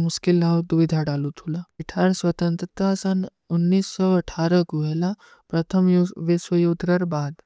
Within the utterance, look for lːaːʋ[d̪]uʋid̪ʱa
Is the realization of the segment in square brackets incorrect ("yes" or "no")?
no